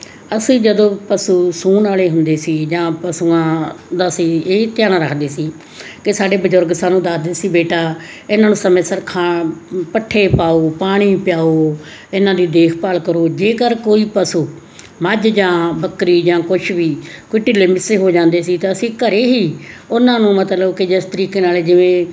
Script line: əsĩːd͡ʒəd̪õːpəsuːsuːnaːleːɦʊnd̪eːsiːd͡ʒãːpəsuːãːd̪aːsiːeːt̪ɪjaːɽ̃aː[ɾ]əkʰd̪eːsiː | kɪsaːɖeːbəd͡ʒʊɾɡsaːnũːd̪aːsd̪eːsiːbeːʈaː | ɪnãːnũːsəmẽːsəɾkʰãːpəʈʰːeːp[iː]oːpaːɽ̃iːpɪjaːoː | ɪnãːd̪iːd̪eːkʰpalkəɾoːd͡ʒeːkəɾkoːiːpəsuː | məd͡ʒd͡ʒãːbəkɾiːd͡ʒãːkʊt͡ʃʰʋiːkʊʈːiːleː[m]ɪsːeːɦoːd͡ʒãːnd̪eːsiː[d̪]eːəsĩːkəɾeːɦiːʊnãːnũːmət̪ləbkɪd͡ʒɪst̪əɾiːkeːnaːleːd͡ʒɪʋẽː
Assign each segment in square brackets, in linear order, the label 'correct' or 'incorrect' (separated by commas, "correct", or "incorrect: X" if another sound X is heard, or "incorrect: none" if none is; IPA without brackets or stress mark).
correct, incorrect: aː, correct, incorrect: t̪